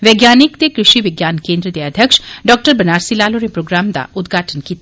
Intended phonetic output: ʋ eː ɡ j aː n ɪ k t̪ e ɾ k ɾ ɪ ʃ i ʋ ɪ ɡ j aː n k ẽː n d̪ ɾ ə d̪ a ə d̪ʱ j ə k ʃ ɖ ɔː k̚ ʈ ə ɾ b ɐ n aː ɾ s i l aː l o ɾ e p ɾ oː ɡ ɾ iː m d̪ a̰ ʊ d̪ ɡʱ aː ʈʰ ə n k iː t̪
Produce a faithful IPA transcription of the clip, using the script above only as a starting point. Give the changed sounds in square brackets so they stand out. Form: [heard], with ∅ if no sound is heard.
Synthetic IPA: ʋ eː ɡ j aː n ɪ k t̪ e [∅] k ɾ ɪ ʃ i ʋ ɪ ɡ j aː n k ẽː n d̪ ɾ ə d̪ [e] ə d̪ʱ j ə k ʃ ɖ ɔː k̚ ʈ ə ɾ b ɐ n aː ɾ s i l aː l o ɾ e p ɾ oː ɡ ɾ [aː] m d̪ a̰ ʊ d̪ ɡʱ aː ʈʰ ə n k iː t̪